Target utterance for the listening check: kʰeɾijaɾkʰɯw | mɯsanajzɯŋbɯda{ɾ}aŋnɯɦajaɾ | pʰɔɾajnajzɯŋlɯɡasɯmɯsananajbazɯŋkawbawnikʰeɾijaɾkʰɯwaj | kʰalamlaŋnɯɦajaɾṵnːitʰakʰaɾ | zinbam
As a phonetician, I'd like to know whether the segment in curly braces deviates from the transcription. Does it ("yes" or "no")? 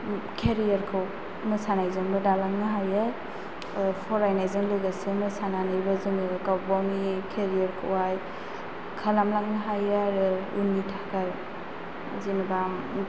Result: yes